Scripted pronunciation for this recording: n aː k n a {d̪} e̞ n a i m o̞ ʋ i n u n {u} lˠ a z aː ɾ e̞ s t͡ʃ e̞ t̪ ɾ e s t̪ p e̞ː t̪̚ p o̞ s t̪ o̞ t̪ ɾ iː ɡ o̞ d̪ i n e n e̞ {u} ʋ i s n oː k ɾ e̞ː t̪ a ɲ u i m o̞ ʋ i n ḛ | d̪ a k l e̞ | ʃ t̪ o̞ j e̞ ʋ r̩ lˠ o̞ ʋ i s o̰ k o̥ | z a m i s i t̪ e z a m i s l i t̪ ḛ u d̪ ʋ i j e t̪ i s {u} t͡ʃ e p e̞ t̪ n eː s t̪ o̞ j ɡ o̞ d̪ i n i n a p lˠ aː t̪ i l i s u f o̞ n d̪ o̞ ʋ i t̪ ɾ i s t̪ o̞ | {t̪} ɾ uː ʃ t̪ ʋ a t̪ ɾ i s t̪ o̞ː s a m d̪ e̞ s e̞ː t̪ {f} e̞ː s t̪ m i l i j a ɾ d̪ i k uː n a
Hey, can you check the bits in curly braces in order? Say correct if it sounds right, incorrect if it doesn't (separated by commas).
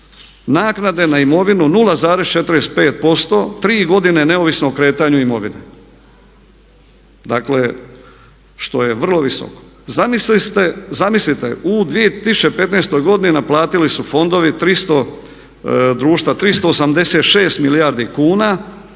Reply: correct, correct, incorrect, correct, incorrect, incorrect